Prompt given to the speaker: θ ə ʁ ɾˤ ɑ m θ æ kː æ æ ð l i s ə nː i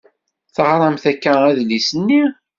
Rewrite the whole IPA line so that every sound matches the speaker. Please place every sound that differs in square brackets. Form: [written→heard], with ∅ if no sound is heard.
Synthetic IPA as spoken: θ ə ʁ ɾˤ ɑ m θ æ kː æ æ ð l i s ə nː i